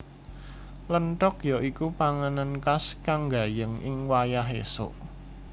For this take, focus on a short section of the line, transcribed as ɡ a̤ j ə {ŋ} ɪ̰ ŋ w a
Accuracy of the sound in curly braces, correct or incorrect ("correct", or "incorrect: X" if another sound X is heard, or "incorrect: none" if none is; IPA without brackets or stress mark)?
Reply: correct